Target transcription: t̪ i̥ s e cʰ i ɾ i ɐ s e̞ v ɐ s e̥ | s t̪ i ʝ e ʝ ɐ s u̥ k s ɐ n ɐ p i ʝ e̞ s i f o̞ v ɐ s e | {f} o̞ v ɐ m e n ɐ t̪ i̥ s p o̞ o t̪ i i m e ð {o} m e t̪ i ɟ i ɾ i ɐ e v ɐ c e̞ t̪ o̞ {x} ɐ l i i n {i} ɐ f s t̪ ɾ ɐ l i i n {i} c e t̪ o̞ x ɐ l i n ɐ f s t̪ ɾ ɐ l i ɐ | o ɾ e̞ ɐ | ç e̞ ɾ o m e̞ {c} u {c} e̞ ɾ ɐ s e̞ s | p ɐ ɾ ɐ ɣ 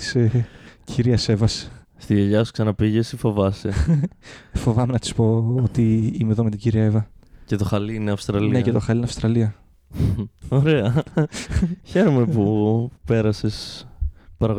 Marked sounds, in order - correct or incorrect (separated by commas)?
correct, correct, correct, incorrect, incorrect, incorrect, incorrect